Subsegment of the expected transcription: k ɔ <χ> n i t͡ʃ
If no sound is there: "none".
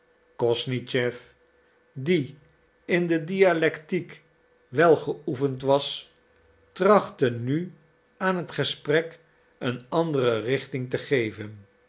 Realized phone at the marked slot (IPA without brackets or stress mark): s